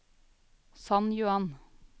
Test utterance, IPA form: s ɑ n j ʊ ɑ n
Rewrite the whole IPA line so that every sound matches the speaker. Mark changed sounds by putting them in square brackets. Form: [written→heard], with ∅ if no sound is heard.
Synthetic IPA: s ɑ n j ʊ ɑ n